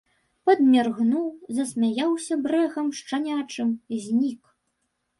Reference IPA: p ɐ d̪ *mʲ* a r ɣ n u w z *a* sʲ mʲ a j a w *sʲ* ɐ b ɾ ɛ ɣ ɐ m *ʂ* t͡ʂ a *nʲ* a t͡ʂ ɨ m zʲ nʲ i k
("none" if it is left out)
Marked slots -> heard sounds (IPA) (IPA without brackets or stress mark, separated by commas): mʲ, ɐ, sʲ, ʂ, nʲ